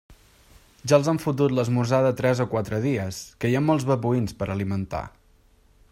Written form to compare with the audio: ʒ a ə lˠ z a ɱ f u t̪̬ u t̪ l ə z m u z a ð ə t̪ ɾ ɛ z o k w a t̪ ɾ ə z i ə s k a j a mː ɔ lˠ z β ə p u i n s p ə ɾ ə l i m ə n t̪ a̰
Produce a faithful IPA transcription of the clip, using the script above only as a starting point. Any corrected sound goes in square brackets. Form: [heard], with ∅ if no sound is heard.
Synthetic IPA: ʒ a ə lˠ z a ɱ f u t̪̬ u t̪ l ə z m u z a ð ə t̪ ɾ ɛ z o k w a t̪ ɾ ə [ð] i ə s k [ə] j a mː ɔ lˠ z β ə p u i n s p ə ɾ ə l i m ə n t̪ a̰